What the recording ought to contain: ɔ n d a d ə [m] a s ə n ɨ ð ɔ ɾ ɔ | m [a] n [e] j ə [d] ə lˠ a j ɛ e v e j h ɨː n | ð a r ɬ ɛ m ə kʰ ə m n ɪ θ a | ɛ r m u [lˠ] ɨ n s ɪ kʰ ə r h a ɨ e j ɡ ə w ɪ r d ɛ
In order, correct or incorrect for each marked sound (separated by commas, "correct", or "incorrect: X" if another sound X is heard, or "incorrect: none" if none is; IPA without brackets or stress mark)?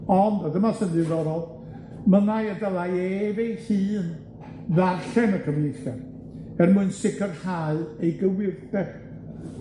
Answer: correct, incorrect: ə, incorrect: a, correct, incorrect: none